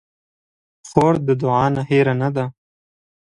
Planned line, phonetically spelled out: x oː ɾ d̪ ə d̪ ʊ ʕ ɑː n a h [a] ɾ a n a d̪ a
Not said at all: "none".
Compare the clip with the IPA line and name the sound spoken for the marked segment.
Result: e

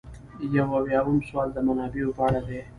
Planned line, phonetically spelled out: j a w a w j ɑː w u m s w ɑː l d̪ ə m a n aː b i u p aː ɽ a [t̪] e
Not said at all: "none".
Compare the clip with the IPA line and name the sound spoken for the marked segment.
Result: d̪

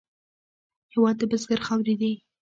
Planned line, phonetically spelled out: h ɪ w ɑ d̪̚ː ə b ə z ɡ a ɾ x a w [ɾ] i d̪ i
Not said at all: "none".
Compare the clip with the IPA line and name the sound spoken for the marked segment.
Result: ɾ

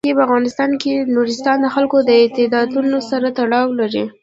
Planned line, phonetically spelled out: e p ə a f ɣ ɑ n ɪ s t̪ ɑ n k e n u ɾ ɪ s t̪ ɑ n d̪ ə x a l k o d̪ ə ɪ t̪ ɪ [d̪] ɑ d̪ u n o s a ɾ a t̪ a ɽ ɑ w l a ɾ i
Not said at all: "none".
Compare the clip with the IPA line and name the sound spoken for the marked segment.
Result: d̪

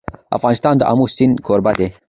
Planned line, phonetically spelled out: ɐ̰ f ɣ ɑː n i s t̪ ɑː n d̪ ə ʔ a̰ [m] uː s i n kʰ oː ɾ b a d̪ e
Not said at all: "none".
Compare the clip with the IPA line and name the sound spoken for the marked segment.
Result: m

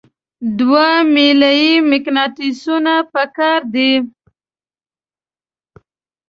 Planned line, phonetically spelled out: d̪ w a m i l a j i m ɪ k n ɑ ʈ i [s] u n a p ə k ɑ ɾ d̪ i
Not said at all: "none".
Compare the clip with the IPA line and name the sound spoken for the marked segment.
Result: s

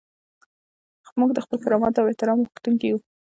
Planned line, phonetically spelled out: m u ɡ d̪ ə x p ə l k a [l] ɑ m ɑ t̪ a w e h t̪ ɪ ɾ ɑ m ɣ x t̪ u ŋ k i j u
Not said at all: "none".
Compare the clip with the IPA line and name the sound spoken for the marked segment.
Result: ɾ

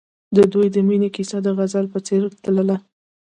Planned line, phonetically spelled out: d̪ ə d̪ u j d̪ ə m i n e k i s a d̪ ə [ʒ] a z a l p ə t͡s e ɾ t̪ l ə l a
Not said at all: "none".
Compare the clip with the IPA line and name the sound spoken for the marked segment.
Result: ɣ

